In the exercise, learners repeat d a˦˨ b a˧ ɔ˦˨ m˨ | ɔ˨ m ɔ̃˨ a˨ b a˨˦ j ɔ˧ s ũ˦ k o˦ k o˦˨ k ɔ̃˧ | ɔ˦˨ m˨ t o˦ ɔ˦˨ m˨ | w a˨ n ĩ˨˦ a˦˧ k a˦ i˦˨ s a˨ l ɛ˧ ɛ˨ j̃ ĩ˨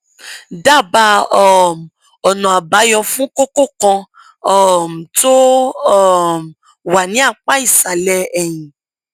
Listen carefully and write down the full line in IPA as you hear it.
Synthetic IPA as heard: d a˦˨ b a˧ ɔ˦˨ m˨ | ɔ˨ n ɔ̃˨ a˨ b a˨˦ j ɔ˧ f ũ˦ k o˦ k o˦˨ k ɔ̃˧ | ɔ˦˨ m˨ t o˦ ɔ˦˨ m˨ | w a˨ n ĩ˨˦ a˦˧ k͡p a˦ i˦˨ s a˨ l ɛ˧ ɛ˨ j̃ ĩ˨